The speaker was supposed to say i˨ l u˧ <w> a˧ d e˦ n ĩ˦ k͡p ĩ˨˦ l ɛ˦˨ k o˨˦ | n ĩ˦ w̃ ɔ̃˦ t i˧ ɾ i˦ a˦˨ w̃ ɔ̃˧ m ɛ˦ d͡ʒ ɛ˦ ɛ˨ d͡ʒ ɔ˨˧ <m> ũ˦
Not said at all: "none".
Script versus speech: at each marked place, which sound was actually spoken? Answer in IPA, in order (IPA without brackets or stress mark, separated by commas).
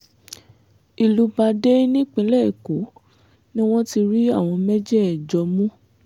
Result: b, m